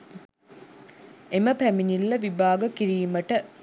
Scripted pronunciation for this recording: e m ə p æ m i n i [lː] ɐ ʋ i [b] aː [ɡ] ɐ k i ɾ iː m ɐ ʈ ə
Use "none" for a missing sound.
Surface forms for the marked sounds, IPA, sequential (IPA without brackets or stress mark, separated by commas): lː, b, ɡ